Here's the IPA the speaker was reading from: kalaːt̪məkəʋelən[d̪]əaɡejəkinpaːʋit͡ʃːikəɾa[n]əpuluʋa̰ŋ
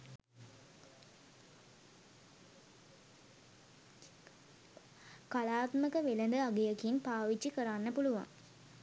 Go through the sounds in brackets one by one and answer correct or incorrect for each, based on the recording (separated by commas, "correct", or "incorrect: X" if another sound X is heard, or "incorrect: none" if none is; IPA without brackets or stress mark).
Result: correct, incorrect: nː